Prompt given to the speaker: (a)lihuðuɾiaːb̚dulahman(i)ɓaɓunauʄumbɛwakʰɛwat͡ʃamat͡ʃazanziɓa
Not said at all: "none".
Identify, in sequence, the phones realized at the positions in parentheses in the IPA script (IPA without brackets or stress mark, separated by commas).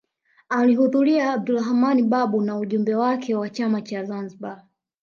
a, i